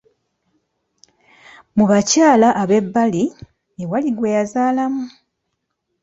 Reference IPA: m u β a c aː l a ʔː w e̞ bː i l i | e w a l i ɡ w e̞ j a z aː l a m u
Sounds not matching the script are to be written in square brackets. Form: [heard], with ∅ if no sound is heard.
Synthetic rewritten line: m u β a c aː l a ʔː [β] e̞ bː [a] l i | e w a l i ɡ w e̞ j a z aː l a m u